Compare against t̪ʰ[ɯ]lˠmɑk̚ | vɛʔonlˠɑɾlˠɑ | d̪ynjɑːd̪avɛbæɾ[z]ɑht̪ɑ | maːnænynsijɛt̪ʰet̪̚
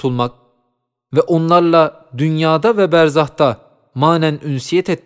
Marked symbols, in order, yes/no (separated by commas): no, yes